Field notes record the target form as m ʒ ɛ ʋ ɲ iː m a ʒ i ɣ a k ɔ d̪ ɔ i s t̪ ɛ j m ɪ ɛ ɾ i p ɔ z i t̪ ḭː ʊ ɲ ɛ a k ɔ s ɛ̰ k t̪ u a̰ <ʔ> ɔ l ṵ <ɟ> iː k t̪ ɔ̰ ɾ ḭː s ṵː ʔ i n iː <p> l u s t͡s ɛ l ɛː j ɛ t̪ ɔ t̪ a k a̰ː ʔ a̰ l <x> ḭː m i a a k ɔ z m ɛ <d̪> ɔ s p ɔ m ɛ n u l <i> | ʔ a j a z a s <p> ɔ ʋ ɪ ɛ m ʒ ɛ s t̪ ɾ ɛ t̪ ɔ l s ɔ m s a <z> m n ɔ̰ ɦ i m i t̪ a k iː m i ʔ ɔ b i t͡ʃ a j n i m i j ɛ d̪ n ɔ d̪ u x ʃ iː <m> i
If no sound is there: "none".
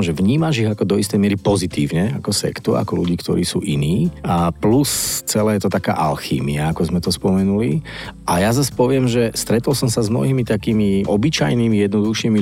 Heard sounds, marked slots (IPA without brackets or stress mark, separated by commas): k, ɟ, p, x, t̪, i, p, z, m